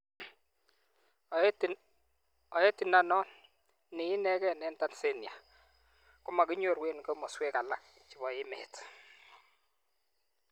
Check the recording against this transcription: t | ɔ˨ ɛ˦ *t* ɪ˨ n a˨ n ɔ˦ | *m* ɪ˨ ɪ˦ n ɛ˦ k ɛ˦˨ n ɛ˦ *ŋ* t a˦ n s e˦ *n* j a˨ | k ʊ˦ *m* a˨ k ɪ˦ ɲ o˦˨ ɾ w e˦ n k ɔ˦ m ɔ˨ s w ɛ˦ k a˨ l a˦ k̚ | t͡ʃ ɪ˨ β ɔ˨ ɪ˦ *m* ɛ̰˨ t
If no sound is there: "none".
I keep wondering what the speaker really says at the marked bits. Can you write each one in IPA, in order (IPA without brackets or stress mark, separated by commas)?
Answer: t, n, n, n, m, m